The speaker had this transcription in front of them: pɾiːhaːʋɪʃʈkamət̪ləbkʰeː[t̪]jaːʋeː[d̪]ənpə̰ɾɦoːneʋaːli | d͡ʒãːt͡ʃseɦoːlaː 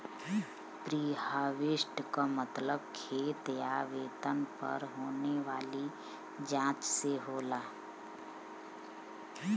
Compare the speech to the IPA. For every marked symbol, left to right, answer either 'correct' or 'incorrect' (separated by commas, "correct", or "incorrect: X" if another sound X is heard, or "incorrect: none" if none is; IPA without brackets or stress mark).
correct, incorrect: t̪